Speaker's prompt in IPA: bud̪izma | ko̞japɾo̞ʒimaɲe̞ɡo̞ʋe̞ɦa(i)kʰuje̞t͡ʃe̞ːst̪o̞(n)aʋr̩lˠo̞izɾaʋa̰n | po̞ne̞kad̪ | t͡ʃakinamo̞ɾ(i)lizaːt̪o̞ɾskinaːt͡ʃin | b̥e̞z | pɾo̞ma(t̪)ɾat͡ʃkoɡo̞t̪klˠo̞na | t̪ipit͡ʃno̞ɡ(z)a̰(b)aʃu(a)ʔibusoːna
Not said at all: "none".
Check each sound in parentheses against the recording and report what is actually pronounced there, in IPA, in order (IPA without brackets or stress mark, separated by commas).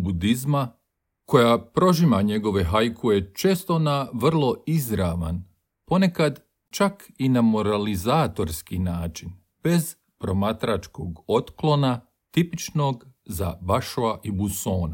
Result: j, n, a, t̪, z, b, a